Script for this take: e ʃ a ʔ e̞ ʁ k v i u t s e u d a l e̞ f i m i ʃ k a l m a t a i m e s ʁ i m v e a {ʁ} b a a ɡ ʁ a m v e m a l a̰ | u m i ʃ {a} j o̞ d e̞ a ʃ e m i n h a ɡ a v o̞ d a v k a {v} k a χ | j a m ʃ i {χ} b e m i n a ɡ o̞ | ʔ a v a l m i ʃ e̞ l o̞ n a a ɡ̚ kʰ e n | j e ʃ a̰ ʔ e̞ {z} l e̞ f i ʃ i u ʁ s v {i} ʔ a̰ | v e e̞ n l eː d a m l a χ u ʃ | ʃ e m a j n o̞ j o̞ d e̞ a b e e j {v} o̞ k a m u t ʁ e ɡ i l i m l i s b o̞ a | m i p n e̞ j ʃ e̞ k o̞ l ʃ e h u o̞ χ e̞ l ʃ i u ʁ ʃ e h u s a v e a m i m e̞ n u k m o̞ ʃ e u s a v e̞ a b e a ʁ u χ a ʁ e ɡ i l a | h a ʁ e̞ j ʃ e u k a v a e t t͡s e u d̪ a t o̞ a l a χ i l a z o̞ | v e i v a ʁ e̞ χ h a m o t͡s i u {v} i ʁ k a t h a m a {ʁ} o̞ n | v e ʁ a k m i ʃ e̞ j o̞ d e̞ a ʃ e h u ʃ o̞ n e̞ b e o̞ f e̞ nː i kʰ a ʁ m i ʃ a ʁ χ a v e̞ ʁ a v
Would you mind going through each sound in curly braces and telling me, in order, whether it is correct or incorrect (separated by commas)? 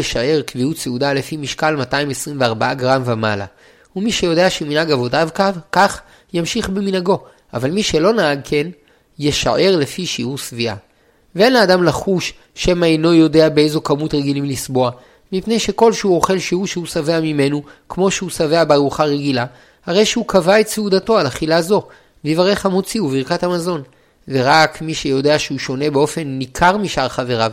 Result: correct, incorrect, correct, correct, incorrect, correct, incorrect, correct, incorrect